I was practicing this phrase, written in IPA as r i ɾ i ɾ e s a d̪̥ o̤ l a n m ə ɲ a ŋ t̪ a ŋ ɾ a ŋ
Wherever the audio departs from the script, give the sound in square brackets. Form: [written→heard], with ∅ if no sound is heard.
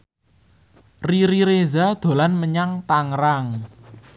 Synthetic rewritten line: r i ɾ i ɾ e [s→z] a d̪̥ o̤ l a n m ə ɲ a ŋ t̪ a ŋ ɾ a ŋ